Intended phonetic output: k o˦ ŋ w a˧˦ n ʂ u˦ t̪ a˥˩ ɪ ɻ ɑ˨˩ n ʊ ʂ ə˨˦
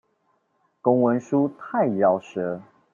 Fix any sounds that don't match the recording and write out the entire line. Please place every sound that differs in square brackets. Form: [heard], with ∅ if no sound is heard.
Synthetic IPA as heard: k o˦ ŋ w [ə˧˦] n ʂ u˦ [t̪ʰ] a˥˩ ɪ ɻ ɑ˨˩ [∅] ʊ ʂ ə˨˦